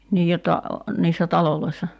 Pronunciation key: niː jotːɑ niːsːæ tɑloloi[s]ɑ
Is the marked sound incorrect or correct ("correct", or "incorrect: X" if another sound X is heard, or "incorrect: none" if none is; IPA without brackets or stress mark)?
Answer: incorrect: sː